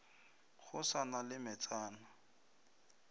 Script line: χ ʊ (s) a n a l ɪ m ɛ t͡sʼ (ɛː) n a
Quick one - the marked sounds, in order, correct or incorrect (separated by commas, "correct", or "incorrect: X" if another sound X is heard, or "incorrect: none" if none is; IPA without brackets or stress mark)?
correct, incorrect: aː